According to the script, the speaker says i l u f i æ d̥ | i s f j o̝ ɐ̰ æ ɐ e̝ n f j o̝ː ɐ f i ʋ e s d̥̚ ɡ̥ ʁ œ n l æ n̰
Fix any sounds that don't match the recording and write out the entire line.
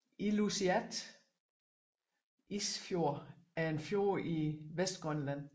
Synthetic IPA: i l u s i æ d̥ | i s f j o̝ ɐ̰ æ ɐ e̝ n f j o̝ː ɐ i ʋ e s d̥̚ ɡ̥ ʁ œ n l æ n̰